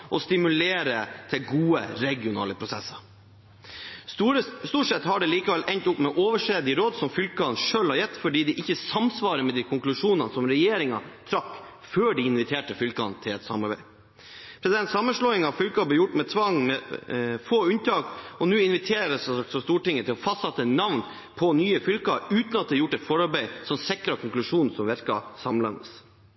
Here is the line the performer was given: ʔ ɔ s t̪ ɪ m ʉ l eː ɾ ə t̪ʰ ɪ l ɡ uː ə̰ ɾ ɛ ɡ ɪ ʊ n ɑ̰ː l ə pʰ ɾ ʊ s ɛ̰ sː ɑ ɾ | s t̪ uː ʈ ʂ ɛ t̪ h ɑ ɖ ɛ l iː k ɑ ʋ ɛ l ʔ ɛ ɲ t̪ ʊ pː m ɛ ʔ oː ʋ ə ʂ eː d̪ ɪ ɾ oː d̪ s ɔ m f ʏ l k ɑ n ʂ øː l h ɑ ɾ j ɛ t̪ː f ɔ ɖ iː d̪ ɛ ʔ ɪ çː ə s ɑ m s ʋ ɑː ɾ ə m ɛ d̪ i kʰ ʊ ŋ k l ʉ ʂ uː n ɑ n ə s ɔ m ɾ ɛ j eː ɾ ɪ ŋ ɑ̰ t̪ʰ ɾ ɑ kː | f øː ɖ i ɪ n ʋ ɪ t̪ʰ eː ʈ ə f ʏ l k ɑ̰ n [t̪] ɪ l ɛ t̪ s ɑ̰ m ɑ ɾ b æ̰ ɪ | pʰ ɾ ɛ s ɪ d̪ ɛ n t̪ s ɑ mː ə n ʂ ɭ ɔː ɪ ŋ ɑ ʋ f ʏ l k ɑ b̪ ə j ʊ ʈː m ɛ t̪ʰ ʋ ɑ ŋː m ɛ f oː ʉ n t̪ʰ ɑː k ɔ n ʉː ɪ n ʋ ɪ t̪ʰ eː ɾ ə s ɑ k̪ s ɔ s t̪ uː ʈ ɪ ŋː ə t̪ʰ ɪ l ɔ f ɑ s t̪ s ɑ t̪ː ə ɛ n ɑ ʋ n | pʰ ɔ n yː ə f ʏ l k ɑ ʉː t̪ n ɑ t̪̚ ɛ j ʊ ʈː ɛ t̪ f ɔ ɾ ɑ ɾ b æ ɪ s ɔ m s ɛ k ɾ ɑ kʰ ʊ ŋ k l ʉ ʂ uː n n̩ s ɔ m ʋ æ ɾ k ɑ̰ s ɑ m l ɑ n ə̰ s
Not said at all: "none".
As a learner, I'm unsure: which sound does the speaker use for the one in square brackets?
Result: t̪ʰ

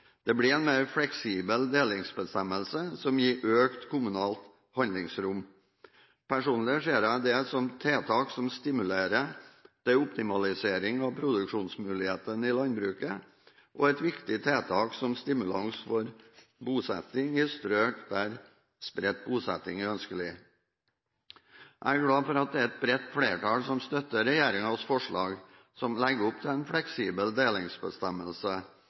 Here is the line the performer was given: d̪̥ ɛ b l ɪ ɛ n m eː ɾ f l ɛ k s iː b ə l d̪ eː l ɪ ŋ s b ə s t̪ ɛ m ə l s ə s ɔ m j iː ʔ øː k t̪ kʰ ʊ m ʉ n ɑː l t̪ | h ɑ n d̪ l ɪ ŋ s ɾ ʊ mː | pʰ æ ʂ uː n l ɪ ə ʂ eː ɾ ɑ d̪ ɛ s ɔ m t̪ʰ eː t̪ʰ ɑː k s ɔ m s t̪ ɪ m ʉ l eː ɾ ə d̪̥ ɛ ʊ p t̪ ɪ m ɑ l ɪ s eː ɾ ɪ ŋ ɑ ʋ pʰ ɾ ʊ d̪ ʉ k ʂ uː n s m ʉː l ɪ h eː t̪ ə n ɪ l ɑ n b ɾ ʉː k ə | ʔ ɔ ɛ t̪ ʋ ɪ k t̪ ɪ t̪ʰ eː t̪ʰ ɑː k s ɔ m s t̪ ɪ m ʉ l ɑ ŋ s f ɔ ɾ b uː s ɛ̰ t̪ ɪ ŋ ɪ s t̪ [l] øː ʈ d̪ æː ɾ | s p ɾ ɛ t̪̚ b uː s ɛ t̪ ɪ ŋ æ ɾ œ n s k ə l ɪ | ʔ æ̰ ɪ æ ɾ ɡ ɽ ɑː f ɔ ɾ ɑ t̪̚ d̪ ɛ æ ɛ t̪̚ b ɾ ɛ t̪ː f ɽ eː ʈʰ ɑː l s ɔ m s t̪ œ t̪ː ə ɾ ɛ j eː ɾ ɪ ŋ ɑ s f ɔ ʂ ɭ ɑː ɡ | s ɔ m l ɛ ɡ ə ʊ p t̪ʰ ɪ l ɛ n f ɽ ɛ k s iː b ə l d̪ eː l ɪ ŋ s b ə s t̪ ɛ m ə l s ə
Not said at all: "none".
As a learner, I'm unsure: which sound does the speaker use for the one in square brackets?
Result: ɾ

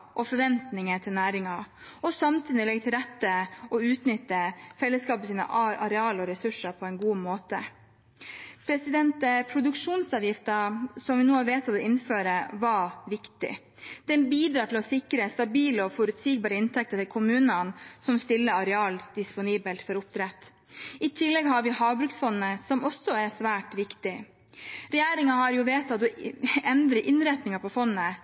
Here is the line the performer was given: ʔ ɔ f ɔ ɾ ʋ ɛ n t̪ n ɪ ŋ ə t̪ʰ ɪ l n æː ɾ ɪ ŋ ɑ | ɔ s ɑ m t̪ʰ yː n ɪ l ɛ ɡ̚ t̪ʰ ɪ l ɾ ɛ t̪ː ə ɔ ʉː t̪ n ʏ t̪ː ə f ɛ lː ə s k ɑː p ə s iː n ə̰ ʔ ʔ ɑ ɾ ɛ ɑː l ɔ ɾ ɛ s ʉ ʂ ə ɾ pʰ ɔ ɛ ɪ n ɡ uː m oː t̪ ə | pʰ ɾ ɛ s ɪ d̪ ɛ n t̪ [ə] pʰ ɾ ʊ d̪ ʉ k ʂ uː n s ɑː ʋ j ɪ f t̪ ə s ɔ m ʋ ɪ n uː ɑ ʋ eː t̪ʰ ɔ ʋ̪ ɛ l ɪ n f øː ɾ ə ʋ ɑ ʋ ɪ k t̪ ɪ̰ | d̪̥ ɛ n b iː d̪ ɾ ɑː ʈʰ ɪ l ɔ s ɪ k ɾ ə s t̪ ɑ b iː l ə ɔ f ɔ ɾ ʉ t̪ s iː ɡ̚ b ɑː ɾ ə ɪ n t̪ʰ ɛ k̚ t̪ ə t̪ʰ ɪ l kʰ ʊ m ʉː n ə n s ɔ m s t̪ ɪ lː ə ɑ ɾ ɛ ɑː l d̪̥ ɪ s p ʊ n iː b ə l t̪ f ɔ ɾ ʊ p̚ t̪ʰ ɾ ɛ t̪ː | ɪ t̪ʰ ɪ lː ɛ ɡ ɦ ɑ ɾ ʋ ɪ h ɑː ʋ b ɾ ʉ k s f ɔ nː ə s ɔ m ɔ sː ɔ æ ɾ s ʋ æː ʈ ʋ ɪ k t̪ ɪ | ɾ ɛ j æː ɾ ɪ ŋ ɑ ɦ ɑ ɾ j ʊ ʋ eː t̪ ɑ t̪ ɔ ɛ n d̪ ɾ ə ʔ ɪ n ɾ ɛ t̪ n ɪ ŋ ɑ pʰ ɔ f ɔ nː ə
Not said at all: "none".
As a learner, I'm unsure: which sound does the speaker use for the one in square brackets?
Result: ə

